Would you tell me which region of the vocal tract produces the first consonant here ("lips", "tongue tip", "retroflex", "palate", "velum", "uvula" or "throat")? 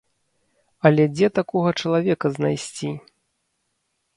tongue tip